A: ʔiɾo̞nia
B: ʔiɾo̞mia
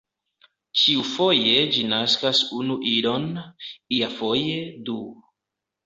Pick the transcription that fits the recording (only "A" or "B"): A